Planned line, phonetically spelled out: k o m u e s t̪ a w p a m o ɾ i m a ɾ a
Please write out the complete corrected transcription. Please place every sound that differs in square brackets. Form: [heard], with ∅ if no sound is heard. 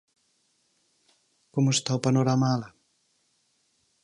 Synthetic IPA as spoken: k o m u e s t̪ a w p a [n] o ɾ [a] m a [l] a